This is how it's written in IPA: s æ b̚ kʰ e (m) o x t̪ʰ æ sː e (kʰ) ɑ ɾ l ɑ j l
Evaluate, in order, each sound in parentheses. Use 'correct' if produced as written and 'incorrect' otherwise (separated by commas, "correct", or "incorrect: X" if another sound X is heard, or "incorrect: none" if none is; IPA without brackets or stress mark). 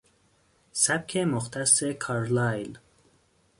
correct, correct